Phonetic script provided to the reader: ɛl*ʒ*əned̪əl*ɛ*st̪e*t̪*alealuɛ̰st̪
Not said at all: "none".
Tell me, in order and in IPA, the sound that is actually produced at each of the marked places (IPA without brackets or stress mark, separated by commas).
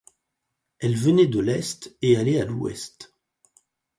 v, ɛ, none